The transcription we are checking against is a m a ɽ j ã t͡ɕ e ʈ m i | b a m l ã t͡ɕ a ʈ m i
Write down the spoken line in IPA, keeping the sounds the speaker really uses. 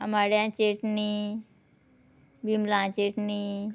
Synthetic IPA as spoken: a m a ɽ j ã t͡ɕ e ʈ n i | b i m l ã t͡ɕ e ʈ n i